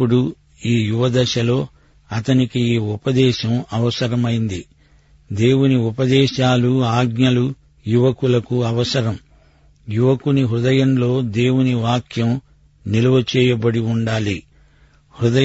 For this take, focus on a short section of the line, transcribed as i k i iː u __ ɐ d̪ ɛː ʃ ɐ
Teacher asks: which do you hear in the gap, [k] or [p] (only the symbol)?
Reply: p